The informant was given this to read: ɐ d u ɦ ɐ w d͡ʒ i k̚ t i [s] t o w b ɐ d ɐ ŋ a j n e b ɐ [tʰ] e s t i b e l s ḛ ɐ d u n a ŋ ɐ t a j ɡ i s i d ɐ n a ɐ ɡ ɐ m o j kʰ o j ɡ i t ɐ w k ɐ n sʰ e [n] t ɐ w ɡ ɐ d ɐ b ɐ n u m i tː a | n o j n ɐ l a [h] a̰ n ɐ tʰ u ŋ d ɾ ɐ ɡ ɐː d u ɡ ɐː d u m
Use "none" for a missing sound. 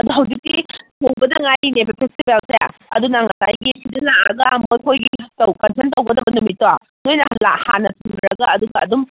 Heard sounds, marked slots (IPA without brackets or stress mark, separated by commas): none, pʰ, n, h